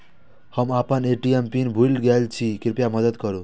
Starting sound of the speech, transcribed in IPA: h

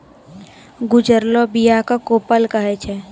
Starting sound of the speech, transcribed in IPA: ɡ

